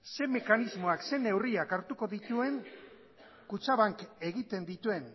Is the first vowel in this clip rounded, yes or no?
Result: no